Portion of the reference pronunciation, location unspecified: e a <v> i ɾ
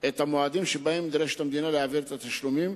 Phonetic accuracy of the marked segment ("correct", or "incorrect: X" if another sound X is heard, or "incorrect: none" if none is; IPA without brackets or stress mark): correct